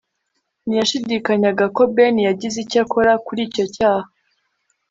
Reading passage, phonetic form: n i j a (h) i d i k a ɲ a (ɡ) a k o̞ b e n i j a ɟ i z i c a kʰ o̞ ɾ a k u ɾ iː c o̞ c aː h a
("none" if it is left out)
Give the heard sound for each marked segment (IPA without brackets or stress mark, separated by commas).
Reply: ʃ, ɡ